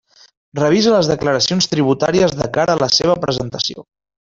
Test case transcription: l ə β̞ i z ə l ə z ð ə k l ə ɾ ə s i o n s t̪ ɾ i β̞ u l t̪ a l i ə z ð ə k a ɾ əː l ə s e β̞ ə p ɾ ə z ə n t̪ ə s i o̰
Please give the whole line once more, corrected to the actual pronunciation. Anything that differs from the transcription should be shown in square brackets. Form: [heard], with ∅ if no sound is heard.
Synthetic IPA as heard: [r] ə β̞ i z ə l ə z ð ə k l ə ɾ ə s i o n s t̪ ɾ i β̞ u [∅] t̪ a [ɾ] i ə z ð ə k a ɾ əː l ə s e β̞ ə p ɾ ə z ə n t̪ ə s i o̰